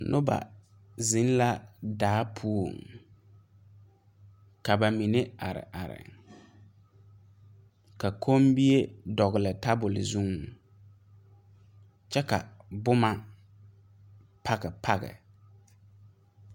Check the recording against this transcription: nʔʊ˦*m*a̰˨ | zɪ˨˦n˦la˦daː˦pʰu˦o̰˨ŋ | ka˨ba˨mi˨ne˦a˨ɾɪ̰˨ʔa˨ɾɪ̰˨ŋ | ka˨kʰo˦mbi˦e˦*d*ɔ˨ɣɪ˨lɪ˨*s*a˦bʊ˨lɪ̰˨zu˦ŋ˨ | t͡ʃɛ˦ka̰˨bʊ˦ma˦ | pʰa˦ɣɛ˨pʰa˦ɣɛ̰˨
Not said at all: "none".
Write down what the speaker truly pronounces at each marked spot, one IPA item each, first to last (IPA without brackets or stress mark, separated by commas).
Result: b, d, t